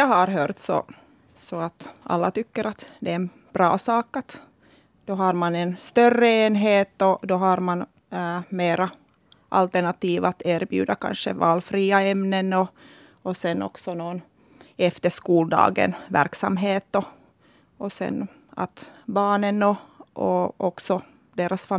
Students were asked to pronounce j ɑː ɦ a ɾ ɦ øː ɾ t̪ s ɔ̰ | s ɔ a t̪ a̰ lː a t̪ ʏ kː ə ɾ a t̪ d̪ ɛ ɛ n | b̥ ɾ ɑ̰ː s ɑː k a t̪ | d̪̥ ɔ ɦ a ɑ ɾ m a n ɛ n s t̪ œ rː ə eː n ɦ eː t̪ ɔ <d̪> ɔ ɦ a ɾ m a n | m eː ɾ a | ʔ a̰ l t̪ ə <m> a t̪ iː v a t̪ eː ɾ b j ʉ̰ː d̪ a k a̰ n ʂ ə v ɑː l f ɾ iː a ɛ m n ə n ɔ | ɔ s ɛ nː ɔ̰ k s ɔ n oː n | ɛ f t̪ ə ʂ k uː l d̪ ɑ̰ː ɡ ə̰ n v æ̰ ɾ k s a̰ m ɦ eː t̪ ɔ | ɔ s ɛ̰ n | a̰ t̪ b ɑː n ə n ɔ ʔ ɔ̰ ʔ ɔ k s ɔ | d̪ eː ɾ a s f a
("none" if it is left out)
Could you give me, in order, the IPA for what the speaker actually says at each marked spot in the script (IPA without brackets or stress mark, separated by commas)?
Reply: d̪, ɳ